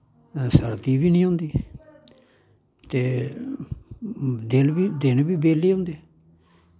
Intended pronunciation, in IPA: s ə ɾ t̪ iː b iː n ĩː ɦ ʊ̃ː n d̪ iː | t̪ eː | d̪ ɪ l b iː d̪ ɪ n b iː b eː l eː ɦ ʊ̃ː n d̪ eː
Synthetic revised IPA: s ə ɾ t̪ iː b iː n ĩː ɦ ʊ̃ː n d̪ iː | t̪ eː | d̪ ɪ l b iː d̪ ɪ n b iː b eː l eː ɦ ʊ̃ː n d̪ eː

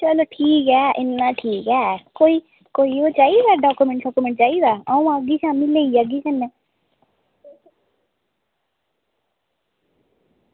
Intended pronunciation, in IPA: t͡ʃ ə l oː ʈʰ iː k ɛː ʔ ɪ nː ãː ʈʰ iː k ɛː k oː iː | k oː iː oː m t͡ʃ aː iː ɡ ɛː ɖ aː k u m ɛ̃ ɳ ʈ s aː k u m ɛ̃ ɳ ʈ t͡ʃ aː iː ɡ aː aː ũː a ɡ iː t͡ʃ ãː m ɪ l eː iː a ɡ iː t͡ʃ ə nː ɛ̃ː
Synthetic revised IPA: t͡ʃ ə l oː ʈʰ iː k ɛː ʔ ɪ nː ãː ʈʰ iː k ɛː k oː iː | k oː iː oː t͡ʃ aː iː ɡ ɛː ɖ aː k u m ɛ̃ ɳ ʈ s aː k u m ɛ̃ ɳ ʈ t͡ʃ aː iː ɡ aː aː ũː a ɡ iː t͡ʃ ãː m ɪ l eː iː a ɡ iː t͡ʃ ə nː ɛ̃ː

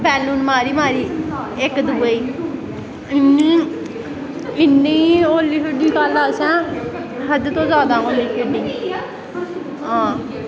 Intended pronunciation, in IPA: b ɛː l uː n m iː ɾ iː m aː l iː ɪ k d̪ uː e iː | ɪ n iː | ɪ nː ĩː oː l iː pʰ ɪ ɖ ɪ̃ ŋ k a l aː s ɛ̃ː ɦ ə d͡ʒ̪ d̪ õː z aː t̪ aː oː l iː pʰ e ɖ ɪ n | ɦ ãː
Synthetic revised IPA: b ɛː l uː n m aː ɾ iː m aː ɾ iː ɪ k d̪ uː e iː | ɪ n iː | ɪ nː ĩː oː l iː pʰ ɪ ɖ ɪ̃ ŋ k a l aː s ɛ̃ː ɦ ə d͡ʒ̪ t̪ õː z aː d̪ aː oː l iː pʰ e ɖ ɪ ŋ | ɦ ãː

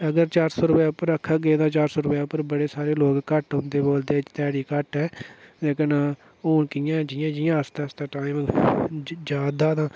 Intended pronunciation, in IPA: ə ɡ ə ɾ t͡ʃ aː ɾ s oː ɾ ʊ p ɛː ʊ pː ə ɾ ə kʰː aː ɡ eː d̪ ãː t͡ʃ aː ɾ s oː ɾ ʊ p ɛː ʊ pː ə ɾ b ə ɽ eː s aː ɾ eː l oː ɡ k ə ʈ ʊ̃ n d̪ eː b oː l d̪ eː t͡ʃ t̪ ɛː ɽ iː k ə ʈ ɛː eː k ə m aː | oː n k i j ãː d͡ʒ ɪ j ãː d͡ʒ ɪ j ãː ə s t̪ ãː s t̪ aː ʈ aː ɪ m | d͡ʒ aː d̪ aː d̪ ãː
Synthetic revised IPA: ə ɡ ə ɾ t͡ʃ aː ɾ s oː ɾ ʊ p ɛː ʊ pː ə ɾ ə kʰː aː ɡ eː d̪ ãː t͡ʃ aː ɾ s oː ɾ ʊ p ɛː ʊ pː ə ɾ b ə ɽ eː s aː ɾ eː l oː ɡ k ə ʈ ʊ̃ n d̪ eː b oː l d̪ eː t͡ʃ t̪ ɛː ɽ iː k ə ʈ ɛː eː k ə n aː | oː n k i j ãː d͡ʒ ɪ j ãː d͡ʒ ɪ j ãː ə s t̪ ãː s t̪ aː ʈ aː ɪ m | d͡ʒ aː d̪ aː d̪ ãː

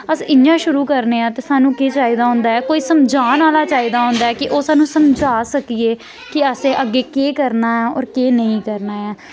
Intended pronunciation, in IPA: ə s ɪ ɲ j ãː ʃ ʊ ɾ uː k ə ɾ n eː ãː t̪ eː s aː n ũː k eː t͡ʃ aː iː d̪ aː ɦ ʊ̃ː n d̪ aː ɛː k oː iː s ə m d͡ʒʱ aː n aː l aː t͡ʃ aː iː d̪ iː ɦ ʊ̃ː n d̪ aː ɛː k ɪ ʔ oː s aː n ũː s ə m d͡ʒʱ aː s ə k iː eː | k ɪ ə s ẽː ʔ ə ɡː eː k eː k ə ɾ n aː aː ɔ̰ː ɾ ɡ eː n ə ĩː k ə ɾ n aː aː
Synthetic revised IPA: ə s ɪ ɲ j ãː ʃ ʊ ɾ uː k ə ɾ n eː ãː t̪ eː s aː n ũː k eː t͡ʃ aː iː d̪ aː ɦ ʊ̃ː n d̪ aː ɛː k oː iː s ə m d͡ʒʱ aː n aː l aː t͡ʃ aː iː d̪ aː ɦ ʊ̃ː n d̪ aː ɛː k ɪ ʔ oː s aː n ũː s ə m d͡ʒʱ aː s ə k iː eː | k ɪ ə s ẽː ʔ ə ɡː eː k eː k ə ɾ n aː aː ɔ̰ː ɾ k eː n ə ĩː k ə ɾ n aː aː

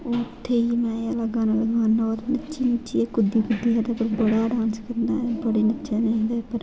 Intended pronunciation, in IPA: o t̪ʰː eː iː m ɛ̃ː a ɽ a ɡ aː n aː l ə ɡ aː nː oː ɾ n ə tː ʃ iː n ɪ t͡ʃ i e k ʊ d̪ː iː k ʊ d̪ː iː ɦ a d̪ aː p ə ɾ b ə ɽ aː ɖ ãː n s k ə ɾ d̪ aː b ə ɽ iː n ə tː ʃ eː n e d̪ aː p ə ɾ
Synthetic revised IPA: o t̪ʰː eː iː m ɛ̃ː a l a ɡ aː n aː l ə ɡ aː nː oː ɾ n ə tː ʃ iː n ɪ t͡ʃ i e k ʊ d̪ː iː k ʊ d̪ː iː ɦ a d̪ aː p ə ɾ b ə ɽ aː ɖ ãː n s k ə ɾ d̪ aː b ə ɽ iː n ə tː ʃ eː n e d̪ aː p ə ɾ

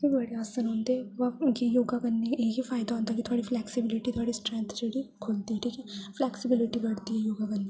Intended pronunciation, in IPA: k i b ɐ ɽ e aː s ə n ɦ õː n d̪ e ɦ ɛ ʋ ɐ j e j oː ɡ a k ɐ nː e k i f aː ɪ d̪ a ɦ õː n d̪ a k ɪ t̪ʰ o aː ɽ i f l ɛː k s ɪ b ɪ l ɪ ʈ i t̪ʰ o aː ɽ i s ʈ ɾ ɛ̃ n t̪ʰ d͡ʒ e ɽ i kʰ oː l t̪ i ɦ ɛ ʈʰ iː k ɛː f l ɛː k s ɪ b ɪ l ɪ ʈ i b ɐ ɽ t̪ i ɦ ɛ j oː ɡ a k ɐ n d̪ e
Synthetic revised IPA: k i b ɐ ɽ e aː s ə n ɦ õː n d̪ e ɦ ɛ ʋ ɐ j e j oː ɡ a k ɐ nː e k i f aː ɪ d̪ a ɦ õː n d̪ a k i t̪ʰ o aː ɽ i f l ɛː k s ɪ b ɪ l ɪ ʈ i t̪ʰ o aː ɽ i s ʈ ɾ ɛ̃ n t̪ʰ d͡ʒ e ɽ i kʰ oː l t̪ i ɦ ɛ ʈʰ iː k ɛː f l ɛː k s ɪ b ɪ l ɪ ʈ i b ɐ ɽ t̪ i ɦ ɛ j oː ɡ a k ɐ n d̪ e

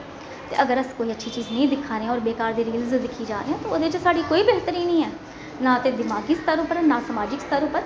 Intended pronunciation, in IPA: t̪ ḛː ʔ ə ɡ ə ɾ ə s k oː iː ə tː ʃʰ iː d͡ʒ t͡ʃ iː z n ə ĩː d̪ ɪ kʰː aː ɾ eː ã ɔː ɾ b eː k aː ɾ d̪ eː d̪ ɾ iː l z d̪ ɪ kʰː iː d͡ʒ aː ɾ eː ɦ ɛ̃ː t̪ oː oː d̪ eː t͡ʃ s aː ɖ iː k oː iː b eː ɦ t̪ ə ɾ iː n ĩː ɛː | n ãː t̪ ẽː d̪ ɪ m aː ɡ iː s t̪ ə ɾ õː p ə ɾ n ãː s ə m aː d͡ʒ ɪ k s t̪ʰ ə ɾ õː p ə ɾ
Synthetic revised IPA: t̪ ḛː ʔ ə ɡ ə ɾ ə s k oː iː ə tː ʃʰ iː t͡ʃ iː z n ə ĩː d̪ ɪ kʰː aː ɾ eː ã ɔː ɾ b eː k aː ɾ d̪ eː ɾ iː l z d̪ ɪ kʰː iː d͡ʒ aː ɾ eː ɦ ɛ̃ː t̪ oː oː d̪ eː t͡ʃ s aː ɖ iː k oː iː b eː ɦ t̪ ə ɾ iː n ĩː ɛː | n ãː t̪ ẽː d̪ ɪ m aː ɡ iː s t̪ ə ɾ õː p ə ɾ n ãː s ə m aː d͡ʒ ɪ k s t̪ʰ ə ɾ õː p ə ɾ

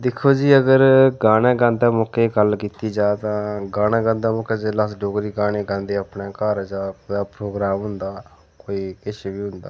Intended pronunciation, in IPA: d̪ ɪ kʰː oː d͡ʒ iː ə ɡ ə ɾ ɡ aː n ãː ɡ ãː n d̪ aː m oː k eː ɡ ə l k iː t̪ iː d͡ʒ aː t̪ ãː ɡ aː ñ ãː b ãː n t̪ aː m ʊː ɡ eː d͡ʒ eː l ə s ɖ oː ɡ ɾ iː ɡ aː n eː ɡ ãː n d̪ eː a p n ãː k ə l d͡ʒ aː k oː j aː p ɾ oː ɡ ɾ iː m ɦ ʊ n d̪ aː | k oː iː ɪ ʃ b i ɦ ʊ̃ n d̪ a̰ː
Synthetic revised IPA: d̪ ɪ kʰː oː d͡ʒ iː ə ɡ ə ɾ ɡ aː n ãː ɡ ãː n d̪ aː m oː k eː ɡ ə l k iː t̪ iː d͡ʒ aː t̪ ãː ɡ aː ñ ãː ɡ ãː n d̪ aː m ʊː k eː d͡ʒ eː l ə s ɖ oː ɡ ɾ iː ɡ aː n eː ɡ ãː n d̪ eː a p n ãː k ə ɾ d͡ʒ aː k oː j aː p ɾ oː ɡ ɾ aː m ɦ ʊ n d̪ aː | k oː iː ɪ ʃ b iː ɦ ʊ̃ n d̪ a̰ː

